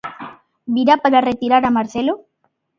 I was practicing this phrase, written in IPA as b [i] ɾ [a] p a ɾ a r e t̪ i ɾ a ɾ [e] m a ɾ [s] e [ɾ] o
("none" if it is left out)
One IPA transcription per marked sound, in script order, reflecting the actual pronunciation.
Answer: i, a, a, θ, l

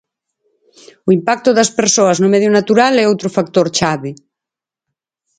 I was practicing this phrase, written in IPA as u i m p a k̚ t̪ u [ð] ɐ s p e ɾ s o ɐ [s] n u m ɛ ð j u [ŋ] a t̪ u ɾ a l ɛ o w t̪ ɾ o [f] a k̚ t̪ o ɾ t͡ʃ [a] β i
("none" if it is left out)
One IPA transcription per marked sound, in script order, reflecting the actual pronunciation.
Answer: ð, z, n, f, a

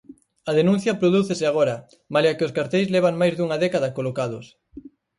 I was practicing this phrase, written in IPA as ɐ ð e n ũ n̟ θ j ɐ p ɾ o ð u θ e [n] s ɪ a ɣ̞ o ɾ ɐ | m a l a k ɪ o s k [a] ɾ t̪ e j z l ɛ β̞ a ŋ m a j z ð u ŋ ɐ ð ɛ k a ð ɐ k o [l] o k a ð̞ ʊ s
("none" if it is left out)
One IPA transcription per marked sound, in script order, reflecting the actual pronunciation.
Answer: none, a, l

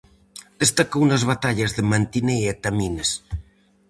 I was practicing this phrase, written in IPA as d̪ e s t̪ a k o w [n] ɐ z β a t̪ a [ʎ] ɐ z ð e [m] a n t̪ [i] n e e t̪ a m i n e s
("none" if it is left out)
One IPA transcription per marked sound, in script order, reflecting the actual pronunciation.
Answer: n, ʎ, m, i

